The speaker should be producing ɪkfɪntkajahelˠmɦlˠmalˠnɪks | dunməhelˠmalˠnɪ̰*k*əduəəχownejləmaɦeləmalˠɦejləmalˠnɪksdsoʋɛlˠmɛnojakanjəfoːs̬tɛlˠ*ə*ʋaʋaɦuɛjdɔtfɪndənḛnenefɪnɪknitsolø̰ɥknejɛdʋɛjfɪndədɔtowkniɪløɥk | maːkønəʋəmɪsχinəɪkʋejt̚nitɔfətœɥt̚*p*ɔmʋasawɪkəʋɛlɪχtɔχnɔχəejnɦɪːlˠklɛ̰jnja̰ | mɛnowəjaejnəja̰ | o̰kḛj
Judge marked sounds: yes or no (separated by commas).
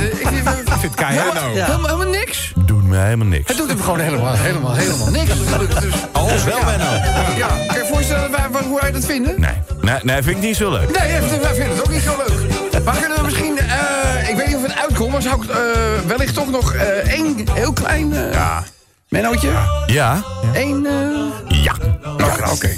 yes, yes, no